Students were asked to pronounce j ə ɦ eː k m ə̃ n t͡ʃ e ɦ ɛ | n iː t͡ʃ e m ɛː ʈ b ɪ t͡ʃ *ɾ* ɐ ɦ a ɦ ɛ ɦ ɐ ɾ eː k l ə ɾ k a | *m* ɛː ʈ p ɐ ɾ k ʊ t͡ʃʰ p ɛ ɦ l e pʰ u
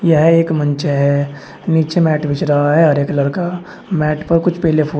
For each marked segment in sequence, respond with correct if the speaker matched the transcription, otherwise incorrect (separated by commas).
correct, correct